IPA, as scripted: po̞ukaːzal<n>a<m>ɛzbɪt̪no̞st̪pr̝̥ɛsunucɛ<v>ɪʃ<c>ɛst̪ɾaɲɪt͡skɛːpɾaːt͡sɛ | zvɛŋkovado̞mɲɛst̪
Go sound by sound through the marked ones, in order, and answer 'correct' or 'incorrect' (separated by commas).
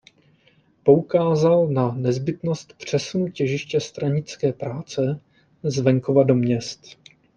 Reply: correct, incorrect, incorrect, correct